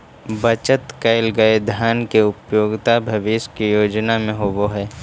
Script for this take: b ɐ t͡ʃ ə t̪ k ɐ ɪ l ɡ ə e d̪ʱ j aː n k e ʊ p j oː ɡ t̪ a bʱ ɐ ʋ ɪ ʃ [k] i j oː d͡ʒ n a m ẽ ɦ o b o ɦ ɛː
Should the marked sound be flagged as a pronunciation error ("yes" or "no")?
no